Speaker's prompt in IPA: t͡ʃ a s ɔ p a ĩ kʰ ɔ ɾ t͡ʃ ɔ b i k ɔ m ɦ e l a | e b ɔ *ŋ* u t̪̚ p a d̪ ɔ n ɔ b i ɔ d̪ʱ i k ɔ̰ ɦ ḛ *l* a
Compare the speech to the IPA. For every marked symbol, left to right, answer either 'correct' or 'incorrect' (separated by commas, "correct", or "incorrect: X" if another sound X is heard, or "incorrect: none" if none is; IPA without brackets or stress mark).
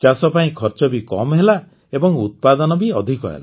correct, correct